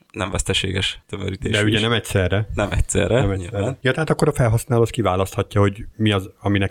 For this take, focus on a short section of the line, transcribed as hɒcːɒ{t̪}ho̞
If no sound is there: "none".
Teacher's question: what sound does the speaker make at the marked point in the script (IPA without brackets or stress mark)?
none